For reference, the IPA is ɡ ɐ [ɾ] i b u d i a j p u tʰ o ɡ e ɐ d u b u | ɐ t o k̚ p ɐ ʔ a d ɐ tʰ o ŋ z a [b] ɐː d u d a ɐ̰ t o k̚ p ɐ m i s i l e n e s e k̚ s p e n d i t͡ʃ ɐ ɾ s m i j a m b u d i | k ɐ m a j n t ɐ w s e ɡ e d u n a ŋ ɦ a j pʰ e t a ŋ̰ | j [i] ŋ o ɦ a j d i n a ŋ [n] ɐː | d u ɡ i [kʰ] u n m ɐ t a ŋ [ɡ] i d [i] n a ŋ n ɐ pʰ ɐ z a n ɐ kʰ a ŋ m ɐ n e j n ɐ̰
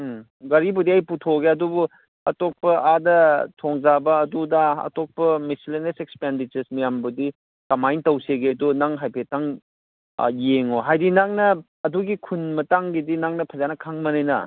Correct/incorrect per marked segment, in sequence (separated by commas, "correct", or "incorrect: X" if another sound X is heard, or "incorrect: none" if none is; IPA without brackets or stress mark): correct, correct, incorrect: e, correct, correct, correct, correct